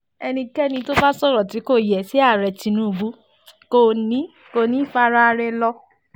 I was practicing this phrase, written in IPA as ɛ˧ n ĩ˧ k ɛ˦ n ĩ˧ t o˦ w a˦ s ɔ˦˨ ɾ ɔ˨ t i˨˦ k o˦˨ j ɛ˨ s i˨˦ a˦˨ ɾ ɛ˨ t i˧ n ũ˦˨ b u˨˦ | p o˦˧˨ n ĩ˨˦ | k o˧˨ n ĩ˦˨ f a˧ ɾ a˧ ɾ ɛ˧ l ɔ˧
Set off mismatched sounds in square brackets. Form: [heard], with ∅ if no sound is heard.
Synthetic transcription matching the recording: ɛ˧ n ĩ˧ k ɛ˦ n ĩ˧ t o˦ [b] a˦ s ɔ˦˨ ɾ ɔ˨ t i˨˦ k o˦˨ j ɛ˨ s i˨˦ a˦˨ ɾ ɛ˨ t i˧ n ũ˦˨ b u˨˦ | [k] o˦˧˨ n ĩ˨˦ | k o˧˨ n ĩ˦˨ f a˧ ɾ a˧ ɾ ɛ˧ l ɔ˧